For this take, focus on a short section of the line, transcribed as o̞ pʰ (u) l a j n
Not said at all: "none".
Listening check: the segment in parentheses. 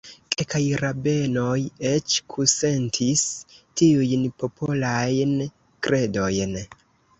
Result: o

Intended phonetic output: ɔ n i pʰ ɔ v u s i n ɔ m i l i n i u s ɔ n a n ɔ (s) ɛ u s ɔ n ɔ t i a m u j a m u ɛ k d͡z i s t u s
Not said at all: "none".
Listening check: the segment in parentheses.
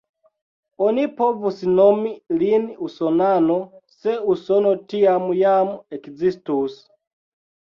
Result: s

